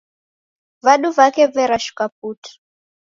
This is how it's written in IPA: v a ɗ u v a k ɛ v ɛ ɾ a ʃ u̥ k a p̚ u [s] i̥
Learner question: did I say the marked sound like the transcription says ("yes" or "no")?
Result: no